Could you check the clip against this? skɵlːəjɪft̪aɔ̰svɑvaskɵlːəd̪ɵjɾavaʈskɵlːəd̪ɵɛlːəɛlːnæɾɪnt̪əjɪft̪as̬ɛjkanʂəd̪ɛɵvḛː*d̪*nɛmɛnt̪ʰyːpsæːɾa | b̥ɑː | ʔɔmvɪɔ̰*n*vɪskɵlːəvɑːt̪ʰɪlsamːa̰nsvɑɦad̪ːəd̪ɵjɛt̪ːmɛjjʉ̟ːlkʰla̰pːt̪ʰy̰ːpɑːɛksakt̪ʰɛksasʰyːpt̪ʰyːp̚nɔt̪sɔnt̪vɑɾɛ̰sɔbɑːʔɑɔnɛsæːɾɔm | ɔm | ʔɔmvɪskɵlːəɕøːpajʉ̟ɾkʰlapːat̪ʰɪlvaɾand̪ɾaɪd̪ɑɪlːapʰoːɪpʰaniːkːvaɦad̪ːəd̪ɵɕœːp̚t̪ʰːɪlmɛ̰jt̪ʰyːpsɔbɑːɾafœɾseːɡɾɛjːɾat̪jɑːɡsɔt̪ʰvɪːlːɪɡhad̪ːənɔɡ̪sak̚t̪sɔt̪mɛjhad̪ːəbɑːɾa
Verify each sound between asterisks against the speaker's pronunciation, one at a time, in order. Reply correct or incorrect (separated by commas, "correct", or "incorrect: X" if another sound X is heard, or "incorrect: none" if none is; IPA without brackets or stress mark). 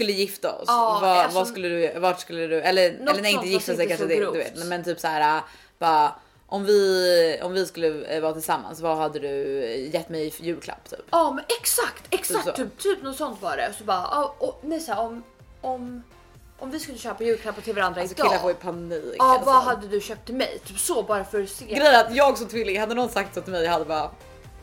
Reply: incorrect: t̪, incorrect: m